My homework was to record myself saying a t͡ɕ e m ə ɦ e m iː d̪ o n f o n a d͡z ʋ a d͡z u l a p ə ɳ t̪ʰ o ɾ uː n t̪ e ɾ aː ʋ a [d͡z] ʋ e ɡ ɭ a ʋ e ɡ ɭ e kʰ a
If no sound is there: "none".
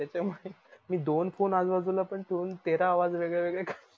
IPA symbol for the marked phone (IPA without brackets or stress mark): d͡z